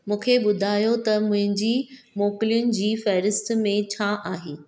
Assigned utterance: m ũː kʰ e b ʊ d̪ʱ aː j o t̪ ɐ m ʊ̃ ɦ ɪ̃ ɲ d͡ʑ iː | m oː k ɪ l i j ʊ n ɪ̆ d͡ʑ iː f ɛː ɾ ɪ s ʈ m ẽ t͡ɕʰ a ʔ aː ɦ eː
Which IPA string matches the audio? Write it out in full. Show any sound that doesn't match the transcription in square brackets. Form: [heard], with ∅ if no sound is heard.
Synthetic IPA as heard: m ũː kʰ e [ɓ] ʊ d̪ʱ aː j o t̪ ɐ m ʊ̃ ɦ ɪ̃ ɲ d͡ʑ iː | m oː k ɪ l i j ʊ n ɪ̆ d͡ʑ iː f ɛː ɾ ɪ s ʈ m ẽ t͡ɕʰ a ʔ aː ɦ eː